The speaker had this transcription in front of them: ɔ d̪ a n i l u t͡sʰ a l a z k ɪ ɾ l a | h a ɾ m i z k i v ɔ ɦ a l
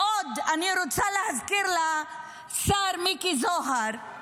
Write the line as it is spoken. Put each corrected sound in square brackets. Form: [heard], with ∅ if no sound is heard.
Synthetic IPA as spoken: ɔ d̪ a n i [ɾ] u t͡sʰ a l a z k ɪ ɾ l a | [s] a ɾ m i [∅] k i [z] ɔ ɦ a [ɾ]